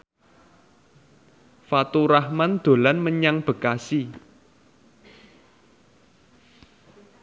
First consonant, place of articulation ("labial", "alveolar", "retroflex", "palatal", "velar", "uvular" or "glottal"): labial